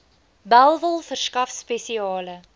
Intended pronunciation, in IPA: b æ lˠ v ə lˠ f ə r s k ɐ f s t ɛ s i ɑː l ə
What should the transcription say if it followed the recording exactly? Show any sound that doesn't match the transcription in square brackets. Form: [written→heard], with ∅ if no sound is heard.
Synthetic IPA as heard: b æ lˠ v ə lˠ f ə r s k ɐ f s [t→p] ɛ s i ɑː l ə